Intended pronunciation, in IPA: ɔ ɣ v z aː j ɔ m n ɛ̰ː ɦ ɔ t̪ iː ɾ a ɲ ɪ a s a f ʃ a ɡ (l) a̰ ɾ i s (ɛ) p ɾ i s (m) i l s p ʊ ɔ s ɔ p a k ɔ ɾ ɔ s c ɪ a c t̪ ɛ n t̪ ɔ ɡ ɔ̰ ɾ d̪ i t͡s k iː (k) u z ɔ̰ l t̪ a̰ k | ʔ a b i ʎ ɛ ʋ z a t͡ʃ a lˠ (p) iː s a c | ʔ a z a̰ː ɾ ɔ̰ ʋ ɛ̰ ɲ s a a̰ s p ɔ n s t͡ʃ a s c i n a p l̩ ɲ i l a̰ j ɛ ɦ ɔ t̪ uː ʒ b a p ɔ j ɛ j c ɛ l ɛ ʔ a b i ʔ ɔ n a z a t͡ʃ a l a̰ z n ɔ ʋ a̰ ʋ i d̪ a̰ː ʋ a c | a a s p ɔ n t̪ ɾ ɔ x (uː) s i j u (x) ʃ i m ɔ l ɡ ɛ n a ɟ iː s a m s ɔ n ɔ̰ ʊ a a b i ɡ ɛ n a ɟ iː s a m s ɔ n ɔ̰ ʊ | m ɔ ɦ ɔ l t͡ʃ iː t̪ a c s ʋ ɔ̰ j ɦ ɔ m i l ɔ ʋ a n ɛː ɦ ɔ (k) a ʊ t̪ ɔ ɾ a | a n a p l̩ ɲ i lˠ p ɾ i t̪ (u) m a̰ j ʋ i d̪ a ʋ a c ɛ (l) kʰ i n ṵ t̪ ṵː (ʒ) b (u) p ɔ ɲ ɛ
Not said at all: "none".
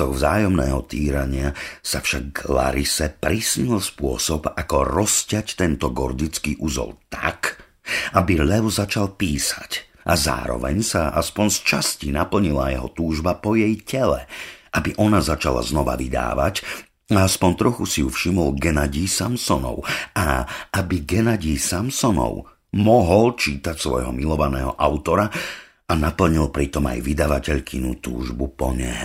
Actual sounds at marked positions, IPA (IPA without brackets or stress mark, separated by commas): l, ɛ, ɲ, ʔ, p, u, f, ʔ, ɔ, ʎ, ʒ, u